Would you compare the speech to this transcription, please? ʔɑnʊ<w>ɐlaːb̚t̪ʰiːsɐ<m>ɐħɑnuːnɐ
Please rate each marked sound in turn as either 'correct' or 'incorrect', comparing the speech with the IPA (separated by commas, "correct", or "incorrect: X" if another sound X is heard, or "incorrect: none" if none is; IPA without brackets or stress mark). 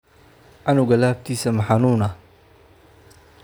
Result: incorrect: ɣ, correct